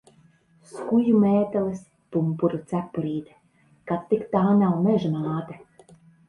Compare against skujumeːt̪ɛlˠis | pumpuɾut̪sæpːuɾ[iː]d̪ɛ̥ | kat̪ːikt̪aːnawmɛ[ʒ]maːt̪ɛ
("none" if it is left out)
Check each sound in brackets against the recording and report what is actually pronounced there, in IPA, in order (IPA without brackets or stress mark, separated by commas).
iː, ʒ